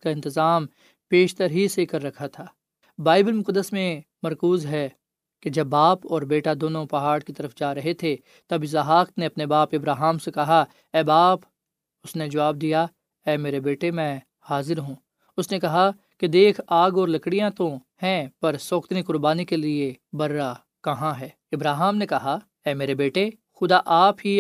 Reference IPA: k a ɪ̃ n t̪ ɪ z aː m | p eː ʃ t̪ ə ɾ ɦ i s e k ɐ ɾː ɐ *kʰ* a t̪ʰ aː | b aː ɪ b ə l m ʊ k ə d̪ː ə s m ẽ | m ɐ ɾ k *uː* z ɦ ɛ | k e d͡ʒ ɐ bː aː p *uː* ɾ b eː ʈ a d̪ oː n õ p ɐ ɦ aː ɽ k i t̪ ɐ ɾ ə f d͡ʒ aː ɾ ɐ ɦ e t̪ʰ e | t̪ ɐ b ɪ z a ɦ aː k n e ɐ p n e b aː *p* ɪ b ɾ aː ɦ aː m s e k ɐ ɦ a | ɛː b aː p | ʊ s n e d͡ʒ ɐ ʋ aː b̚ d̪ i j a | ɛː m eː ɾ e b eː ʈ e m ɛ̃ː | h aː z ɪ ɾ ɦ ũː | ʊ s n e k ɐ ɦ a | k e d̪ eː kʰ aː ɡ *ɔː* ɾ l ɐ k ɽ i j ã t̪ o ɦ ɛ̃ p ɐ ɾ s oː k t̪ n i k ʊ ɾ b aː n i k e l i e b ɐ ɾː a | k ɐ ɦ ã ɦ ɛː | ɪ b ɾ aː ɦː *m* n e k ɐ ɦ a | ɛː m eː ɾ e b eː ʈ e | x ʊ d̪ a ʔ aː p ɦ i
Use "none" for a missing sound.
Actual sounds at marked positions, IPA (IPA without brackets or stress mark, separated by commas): kʰ, uː, ɔː, p, ɔː, m